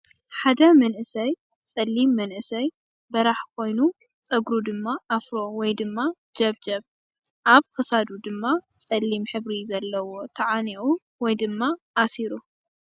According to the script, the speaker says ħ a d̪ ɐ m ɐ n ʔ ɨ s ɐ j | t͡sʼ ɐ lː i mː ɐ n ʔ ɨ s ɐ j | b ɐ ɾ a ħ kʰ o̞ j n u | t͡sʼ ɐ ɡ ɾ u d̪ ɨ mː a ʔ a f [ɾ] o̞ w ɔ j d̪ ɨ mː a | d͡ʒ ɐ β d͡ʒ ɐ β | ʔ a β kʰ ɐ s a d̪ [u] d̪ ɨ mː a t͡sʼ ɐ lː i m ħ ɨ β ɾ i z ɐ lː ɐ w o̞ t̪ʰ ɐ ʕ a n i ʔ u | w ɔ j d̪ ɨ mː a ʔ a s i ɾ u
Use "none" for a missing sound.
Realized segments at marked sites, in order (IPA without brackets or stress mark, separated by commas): ɾ, u